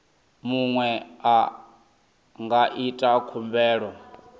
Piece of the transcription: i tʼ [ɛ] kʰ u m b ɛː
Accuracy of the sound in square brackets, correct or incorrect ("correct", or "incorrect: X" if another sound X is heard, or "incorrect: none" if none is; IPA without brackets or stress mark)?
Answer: incorrect: a